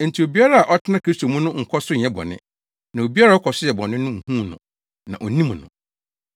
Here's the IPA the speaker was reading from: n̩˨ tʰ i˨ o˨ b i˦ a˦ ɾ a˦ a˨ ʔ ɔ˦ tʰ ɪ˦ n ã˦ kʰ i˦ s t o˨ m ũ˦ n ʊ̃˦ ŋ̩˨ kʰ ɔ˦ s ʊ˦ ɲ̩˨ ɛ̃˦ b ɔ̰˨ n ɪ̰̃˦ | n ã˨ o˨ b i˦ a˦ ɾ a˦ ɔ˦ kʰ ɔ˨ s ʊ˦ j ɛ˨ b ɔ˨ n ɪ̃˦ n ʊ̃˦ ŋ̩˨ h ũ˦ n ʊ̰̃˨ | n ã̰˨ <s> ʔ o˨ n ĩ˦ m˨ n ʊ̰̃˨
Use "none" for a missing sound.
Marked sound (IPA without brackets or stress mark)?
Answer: none